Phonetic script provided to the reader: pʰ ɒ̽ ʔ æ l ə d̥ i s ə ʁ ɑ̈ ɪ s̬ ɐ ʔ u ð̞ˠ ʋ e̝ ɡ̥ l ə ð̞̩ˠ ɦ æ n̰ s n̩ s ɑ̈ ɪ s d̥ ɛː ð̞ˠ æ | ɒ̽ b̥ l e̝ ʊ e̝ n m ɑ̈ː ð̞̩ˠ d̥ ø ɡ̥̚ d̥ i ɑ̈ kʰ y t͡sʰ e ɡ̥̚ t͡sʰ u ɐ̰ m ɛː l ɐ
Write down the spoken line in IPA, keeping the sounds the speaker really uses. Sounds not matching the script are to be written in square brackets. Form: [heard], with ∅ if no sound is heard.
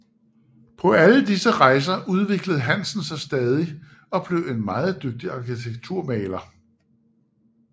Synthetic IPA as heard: pʰ ɒ̽ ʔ æ l ə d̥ i s ə ʁ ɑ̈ ɪ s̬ ɐ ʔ u ð̞ˠ ʋ e̝ ɡ̥ l ə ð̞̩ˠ ɦ æ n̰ s n̩ s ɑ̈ ɪ s d̥ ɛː ð̞ˠ [i] | ɒ̽ b̥ l e̝ ʊ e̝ n m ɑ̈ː ð̞̩ˠ d̥ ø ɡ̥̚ d̥ i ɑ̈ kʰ [i] t͡sʰ e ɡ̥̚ t͡sʰ u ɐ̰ m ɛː l ɐ

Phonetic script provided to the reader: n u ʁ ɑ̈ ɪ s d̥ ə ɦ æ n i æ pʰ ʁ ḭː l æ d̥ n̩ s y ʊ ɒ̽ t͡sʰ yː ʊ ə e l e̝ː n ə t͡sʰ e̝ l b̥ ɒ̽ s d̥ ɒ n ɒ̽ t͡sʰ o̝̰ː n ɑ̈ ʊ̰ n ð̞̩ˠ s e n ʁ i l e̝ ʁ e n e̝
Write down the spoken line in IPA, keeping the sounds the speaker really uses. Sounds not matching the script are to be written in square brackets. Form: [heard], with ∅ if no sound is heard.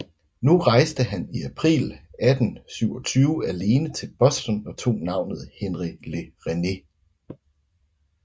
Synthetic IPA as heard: n u ʁ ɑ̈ ɪ s d̥ ə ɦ æ n i æ pʰ ʁ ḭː l æ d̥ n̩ s y ʊ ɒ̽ t͡sʰ yː ʊ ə [æ] l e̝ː n ə t͡sʰ e̝ l b̥ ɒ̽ s d̥ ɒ n ɒ̽ t͡sʰ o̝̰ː n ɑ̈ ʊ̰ n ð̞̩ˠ [h] e n ʁ i l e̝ ʁ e n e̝

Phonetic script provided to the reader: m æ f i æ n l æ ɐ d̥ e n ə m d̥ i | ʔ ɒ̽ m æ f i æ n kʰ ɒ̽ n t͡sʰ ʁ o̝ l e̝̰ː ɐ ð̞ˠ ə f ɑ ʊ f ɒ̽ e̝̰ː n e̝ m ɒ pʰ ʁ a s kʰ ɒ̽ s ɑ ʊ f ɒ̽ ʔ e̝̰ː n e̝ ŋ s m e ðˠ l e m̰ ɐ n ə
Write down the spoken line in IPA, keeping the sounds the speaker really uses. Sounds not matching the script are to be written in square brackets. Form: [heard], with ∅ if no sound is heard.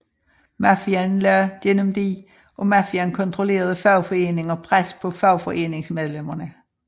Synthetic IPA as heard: m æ f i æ n l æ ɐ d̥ e n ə m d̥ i | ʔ ɒ̽ m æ f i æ n kʰ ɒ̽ n t͡sʰ ʁ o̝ l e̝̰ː ɐ ð̞ˠ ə f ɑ ʊ f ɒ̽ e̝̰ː n e̝ [ŋ] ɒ pʰ ʁ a s [pʰ] ɒ̽ [f] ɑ ʊ f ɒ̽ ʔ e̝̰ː n e̝ ŋ s m e ðˠ l e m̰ ɐ n ə

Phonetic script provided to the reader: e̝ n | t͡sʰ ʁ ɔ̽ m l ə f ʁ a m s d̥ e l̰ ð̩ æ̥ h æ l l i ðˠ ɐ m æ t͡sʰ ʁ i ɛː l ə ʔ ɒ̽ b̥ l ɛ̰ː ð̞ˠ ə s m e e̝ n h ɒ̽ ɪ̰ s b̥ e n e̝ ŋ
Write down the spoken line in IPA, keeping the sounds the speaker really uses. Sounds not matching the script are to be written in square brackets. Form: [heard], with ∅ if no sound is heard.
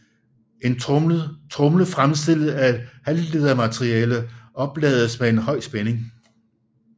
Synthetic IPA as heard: e̝ n | t͡sʰ ʁ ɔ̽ m l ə f ʁ a m s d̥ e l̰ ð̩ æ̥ h æ l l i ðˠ ɐ m æ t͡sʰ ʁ i ɛː l ə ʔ ɒ̽ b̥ l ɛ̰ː ð̞ˠ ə s m e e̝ n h ɒ̽ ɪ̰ s b̥ e n e̝ ŋ

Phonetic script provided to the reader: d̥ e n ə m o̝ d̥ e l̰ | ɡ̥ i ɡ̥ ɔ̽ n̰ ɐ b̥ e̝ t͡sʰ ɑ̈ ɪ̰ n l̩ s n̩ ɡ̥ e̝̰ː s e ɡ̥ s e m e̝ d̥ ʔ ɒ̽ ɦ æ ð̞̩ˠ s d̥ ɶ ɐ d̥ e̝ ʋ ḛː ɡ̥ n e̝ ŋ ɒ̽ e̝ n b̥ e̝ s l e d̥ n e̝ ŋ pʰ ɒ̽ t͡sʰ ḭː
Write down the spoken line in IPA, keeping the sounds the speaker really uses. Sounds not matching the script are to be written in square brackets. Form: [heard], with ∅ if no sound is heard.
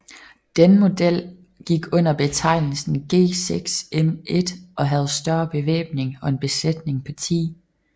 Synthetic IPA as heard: d̥ e n ə m o̝ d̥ e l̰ | ɡ̥ i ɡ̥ ɔ̽ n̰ ɐ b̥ e̝ t͡sʰ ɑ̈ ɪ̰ n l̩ s n̩ ɡ̥ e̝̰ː s e ɡ̥ s e m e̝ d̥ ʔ ɒ̽ ɦ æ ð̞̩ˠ s d̥ ɶ ɐ [b̥] e̝ ʋ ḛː [b̥] n e̝ ŋ ɒ̽ e̝ n b̥ e̝ s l e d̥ n e̝ ŋ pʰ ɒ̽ t͡sʰ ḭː

